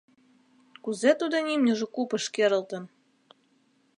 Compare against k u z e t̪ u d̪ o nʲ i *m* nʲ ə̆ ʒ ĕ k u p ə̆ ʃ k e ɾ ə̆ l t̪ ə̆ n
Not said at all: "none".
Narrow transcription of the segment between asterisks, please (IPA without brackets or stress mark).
m